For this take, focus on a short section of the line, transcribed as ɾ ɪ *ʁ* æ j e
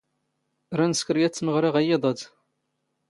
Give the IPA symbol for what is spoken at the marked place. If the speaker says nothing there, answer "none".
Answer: ʁ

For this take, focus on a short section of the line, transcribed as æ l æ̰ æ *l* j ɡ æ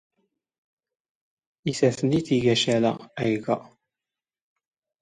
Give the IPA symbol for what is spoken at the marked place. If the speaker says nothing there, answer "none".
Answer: none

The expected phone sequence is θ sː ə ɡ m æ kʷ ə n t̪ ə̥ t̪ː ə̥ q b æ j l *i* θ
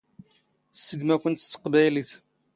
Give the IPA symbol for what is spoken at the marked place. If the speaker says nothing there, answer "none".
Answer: i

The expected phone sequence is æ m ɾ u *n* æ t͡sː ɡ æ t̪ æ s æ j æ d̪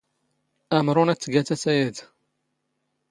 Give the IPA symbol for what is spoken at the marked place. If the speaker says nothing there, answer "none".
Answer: n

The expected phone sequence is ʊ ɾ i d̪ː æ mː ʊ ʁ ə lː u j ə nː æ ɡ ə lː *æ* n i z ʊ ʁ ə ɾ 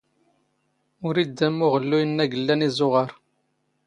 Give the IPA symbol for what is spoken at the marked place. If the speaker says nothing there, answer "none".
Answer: æ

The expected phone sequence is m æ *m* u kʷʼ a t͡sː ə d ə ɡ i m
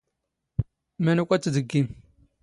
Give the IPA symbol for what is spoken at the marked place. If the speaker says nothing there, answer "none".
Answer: n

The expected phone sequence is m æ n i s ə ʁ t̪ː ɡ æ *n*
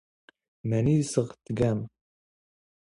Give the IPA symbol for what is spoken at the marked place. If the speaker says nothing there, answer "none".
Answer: m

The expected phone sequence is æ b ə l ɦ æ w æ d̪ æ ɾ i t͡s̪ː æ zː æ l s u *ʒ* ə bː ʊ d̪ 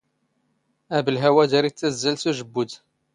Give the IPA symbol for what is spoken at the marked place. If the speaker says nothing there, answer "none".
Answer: ʒ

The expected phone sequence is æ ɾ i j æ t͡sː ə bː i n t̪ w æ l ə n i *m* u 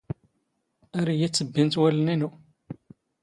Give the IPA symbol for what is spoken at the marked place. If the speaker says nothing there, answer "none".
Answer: n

